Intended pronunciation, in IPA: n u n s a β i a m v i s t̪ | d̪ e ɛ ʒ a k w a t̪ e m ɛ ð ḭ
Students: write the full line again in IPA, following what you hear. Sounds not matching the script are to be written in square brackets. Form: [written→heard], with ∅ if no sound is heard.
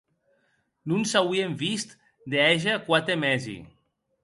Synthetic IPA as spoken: n u n s a [β→w] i [a→e] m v i s t̪ | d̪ e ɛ ʒ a k w a t̪ e m ɛ [ð→z] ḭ